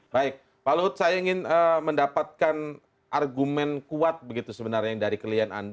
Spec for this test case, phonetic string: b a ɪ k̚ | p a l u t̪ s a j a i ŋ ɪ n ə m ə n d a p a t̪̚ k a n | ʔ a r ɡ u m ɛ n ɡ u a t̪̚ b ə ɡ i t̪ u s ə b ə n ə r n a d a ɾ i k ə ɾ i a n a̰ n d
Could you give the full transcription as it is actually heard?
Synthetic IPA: b a ɪ k̚ | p a l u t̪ s a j a i ŋ ɪ n ə m ə n d a p a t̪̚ k a n | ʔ a r ɡ u m ɛ n k u a t̪̚ b ə ɡ i t̪ u s ə b ə n a r ɲ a d a ɾ i k ə l i a n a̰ n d